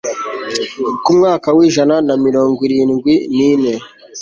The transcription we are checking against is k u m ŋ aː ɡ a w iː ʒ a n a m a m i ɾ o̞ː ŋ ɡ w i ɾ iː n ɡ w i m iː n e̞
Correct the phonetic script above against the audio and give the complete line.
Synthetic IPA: k u m ŋ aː k a w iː ʒ a n a n a m i ɾ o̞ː ŋ ɡ w i ɾ iː n ɡ w i n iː n e̞